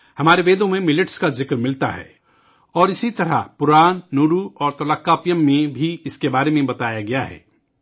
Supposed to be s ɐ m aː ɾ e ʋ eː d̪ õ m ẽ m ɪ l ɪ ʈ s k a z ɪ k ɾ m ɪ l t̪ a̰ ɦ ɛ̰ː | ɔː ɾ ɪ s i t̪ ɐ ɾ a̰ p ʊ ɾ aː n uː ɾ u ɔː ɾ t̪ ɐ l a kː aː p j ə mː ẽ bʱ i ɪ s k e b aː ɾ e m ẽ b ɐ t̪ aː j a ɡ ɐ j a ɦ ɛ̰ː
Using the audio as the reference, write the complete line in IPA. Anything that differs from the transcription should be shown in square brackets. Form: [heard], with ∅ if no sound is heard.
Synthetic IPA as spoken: [h] ɐ m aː ɾ e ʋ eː d̪ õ m ẽ m ɪ l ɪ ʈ s k a z ɪ k ɾ m ɪ l t̪ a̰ ɦ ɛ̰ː | ɔː ɾ ɪ s i t̪ ɐ ɾ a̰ p ʊ ɾ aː [nː] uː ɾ u ɔː ɾ t̪ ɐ l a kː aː p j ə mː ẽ bʱ i ɪ s k e b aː ɾ e m ẽ b ɐ t̪ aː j a ɡ ɐ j a ɦ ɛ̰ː